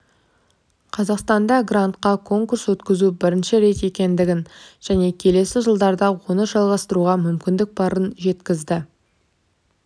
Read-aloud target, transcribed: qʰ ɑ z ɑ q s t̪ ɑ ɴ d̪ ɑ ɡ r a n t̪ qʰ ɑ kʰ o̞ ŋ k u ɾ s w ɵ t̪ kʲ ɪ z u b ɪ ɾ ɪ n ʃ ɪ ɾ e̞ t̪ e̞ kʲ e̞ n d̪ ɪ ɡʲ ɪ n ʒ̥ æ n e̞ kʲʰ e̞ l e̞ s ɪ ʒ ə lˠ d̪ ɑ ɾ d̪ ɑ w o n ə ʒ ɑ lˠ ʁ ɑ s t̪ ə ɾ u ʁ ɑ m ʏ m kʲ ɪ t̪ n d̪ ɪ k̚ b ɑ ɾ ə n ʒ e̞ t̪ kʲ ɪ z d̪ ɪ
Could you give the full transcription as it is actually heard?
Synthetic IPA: qʰ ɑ z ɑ q s t̪ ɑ n d̪ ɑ ɡ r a n t̪ q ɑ kʰ o̞ ŋ k u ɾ s w ɵ t̪ kʲ ɪ z u b ɪ ɾ ɪ n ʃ ɪ ɾ e̞ t̪ e̞ kʲ e̞ n d̪ ɪ ɡʲ ɪ n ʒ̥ æ n e̞ kʲʰ e̞ l e̞ s ɪ ʒ ə lˠ d̪ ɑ ɾ d̪ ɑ w o n ə ʒ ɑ lˠ ʁ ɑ s t̪ ə ɾ u ʁ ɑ m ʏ m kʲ ɪ n d̪ ɪ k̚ b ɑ ɾ ə n ʒ e̞ t̪ kʲ ɪ z d̪ ɪ